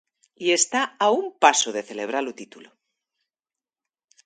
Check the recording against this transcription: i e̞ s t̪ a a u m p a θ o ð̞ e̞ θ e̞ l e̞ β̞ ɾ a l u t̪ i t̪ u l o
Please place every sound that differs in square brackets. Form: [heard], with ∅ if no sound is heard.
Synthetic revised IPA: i e̞ s t̪ a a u m p a [s] o ð̞ e̞ θ e̞ l e̞ β̞ ɾ a l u t̪ i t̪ u l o